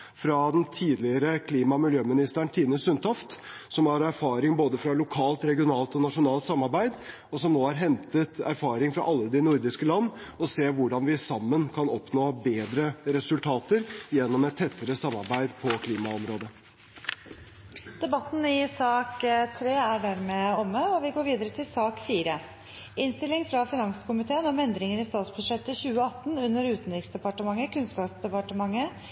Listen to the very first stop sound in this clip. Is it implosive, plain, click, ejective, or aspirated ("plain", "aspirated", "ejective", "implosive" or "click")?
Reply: plain